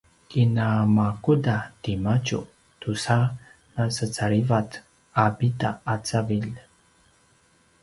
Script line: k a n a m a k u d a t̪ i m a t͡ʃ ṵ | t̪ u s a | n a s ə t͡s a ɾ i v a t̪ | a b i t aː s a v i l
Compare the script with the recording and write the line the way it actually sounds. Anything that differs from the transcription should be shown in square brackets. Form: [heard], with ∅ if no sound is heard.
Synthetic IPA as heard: k [i] n a m a k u d a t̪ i m a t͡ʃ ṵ | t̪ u s a | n a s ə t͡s a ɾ i v a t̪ | a b i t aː [t͡s] a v i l